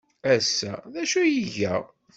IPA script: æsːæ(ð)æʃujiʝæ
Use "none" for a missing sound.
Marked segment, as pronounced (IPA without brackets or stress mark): ð